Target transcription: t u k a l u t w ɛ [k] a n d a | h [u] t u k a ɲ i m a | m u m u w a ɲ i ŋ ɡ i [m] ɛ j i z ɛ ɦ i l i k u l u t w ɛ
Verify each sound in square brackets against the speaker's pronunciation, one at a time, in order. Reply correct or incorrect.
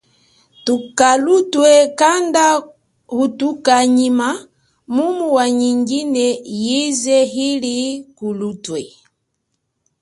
correct, correct, incorrect: n

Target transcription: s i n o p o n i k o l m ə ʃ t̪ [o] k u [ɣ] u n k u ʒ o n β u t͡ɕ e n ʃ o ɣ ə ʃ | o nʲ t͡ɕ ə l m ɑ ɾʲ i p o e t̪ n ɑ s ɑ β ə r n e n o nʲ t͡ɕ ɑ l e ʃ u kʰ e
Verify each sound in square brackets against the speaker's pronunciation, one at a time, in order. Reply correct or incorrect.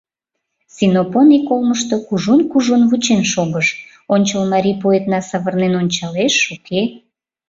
correct, incorrect: ʒ

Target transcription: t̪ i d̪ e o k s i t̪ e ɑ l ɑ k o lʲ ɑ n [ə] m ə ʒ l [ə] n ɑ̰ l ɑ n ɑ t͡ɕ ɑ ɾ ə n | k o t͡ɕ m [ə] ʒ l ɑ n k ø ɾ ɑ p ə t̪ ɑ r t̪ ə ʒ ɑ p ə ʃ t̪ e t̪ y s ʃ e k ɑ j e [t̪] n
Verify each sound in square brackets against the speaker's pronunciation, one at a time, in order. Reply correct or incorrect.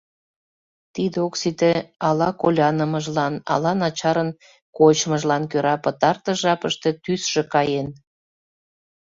correct, incorrect: ɑ, correct, incorrect: none

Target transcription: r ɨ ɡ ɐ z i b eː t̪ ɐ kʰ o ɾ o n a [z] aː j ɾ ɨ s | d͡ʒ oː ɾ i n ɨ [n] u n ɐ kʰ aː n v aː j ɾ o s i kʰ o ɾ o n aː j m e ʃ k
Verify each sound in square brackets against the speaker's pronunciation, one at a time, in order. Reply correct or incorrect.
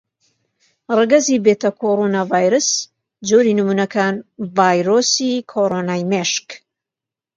incorrect: v, incorrect: m

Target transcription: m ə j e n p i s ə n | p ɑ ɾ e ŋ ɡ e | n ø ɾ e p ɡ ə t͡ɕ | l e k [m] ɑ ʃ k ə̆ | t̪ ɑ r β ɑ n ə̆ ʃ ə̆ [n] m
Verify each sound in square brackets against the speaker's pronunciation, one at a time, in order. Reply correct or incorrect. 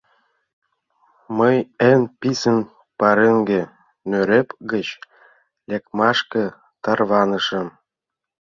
correct, incorrect: none

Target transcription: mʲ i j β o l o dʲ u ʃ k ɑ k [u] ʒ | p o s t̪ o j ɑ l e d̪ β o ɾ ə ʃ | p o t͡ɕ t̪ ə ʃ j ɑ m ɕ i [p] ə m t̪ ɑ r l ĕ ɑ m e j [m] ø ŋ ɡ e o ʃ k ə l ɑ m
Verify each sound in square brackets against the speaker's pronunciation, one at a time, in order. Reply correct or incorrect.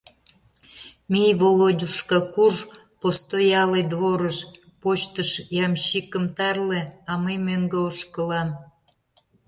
correct, incorrect: k, correct

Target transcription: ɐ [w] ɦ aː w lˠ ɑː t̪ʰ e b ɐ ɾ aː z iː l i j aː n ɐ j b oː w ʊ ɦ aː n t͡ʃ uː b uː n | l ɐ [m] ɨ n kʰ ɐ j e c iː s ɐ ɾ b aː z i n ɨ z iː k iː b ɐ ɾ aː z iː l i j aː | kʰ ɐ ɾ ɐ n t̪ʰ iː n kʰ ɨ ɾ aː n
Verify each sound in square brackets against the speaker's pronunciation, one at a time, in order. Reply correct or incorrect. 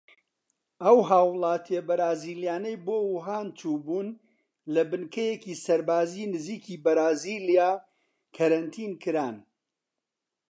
correct, incorrect: b

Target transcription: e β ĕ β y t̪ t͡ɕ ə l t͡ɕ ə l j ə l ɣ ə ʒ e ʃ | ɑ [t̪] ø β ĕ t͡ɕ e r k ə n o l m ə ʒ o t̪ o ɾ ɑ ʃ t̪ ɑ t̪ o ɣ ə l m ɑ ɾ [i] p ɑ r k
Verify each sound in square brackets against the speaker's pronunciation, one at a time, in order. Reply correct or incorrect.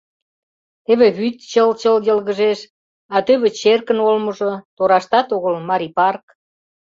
correct, correct

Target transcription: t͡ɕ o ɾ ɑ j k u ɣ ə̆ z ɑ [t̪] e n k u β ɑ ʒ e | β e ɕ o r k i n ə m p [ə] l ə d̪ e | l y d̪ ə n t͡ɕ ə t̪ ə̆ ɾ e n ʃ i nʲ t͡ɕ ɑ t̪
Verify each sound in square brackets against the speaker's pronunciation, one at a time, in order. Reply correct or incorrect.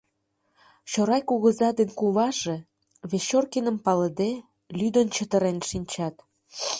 incorrect: d̪, incorrect: ɑ

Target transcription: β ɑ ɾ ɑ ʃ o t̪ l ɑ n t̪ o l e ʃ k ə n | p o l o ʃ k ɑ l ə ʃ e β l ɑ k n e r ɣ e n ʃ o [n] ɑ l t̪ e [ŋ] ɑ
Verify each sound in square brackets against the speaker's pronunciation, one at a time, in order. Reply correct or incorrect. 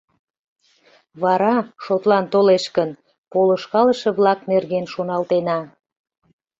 correct, incorrect: n

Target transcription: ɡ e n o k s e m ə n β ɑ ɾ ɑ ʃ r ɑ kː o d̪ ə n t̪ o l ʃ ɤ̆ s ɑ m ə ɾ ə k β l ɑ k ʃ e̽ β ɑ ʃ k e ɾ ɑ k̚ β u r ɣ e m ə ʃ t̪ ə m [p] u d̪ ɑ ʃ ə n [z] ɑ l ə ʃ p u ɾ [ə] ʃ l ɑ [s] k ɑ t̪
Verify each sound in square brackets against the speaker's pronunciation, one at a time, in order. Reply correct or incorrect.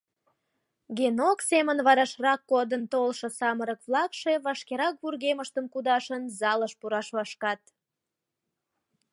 incorrect: k, correct, incorrect: ɑ, incorrect: ʃ

